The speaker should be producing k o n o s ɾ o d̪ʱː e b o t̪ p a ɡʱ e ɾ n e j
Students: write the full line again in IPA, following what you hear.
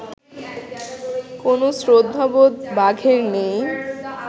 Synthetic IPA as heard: k o n o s ɾ o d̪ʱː a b o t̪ b a ɡʱ e ɾ n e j